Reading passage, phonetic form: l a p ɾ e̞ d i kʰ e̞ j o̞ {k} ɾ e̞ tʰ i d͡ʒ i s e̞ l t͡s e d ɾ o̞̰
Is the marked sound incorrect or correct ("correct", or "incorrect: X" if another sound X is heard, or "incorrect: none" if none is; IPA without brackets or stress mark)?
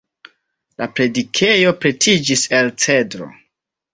incorrect: p